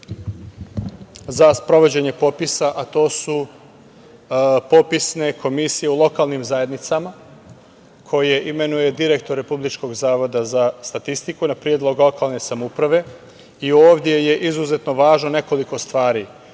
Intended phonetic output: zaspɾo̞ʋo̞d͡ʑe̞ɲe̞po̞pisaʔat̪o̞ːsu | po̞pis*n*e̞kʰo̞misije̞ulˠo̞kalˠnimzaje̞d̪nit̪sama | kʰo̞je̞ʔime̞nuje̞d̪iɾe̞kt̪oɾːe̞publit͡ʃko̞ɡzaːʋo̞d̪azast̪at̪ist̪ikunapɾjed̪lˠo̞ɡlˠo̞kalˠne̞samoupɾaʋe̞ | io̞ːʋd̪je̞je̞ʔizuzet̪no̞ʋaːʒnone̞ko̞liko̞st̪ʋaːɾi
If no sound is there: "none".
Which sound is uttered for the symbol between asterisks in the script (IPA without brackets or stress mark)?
n